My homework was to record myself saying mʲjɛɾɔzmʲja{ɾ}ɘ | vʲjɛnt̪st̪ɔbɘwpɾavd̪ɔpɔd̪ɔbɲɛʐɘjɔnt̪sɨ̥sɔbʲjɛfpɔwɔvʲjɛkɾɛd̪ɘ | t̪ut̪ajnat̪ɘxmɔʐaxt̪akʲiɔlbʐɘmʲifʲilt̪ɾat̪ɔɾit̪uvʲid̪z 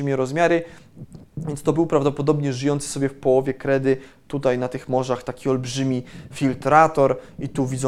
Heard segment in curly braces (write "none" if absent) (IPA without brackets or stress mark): ɾ